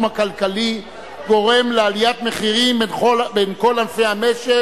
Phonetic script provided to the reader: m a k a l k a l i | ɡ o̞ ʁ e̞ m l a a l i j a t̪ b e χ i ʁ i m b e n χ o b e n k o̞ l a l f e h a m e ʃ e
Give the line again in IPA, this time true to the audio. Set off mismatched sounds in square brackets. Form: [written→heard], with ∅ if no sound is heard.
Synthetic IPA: m a k a l k a l i | ɡ o̞ ʁ e̞ m l [a→e] a l i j a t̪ [b→m] e χ i ʁ i m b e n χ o b e n k o̞ l a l f e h a m e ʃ e